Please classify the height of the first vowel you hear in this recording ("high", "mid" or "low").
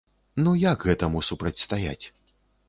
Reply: high